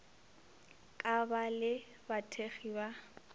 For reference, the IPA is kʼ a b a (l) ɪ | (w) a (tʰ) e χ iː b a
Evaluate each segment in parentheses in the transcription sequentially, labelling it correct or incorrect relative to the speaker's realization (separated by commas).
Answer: correct, incorrect, correct